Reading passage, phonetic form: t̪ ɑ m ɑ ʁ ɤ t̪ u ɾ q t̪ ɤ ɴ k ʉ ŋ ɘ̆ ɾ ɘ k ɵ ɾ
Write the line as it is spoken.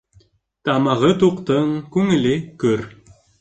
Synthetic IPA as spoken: t̪ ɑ m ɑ ʁ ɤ t̪ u q t̪ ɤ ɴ k ʉ ŋ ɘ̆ l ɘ k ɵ ɾ